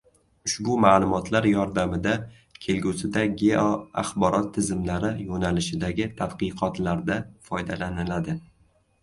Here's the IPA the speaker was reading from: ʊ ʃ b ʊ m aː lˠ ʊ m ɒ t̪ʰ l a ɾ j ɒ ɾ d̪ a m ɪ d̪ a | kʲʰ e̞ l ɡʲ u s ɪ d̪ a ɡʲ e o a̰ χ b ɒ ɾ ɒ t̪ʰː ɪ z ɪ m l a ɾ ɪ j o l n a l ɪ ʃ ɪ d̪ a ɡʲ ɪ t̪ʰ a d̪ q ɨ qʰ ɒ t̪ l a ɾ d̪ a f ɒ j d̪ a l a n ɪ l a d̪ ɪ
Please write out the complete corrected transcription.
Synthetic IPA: ʊ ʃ b ʊ m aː lˠ ʊ m ɒ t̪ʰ l a ɾ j ɒ ɾ d̪ a m ɪ d̪ a | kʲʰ e̞ l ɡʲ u s ɪ d̪ a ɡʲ e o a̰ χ b ɒ ɾ ɒ t̪ʰː ɪ z ɪ m l a ɾ ɪ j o n a l ɪ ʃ ɪ d̪ a ɡʲ ɪ t̪ʰ a d̪ q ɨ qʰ ɒ t̪ l a ɾ d̪ a f ɒ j d̪ a l a n ɪ l a d̪ ɪ